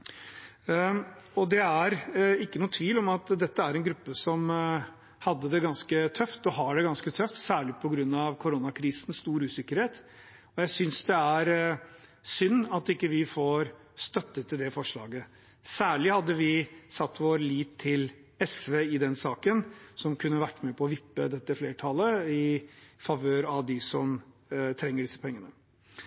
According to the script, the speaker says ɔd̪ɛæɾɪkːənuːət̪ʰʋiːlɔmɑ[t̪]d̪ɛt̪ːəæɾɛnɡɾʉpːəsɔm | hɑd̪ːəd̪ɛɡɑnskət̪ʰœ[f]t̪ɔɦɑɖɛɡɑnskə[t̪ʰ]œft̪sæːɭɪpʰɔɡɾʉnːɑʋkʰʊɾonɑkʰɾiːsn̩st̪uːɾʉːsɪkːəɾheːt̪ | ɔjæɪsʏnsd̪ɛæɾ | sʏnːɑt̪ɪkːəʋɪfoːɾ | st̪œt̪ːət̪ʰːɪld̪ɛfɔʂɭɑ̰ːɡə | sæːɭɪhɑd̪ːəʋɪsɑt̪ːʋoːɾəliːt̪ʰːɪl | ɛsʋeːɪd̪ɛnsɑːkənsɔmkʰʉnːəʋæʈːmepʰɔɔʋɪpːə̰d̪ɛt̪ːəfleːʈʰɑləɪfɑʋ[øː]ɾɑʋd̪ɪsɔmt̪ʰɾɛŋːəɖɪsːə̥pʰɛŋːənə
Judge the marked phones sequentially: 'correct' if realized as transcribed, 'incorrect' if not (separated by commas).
correct, correct, correct, correct